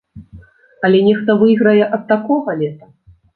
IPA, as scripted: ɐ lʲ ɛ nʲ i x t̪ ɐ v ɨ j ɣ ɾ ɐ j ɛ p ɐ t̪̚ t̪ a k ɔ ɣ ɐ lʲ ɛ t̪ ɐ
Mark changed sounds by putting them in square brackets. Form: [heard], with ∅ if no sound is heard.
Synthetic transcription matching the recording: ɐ lʲ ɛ nʲ [ɛ] x t̪ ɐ v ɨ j ɣ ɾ ɐ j ɛ [ʔ] ɐ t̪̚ t̪ a k ɔ ɣ ɐ lʲ ɛ t̪ ɐ